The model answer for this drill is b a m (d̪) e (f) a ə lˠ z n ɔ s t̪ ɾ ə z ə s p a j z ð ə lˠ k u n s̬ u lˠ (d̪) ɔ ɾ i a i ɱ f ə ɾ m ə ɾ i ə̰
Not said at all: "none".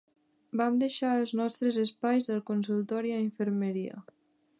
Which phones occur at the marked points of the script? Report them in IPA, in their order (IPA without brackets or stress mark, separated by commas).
d̪, ʃ, t̪